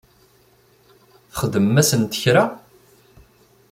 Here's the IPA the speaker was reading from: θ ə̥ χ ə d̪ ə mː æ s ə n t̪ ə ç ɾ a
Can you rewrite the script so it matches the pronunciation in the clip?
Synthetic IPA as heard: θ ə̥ χ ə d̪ ə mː æ s ə n t̪ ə ç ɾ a